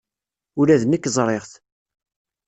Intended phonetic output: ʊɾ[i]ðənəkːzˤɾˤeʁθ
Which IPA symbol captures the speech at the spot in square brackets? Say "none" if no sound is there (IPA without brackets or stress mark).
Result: æ